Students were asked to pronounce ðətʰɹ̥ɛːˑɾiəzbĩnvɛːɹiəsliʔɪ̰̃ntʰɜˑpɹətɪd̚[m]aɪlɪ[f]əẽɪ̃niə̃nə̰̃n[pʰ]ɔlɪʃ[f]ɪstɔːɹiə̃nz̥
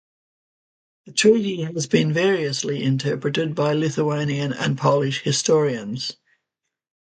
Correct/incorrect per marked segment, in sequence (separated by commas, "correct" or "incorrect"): incorrect, incorrect, correct, incorrect